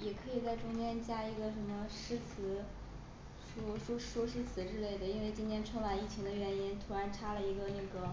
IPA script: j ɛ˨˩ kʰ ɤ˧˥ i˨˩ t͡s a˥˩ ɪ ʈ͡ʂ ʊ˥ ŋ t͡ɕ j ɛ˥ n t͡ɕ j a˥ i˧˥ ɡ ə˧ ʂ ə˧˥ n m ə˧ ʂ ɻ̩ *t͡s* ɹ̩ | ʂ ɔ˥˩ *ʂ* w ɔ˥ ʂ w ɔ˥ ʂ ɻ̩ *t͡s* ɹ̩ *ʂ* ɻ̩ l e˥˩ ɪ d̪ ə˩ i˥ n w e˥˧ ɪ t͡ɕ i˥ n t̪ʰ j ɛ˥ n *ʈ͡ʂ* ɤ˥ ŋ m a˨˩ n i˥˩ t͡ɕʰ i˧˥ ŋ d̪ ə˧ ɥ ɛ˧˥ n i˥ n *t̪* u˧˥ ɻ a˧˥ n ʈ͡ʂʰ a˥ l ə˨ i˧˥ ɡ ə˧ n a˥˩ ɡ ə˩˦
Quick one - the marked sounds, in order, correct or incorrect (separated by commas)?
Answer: incorrect, correct, incorrect, incorrect, incorrect, incorrect